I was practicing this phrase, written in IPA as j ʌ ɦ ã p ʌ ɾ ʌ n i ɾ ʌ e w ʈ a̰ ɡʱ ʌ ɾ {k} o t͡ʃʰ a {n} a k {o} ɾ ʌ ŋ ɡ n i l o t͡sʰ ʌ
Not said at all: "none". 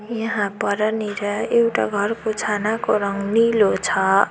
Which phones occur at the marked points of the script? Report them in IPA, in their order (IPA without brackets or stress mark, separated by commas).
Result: k, n, o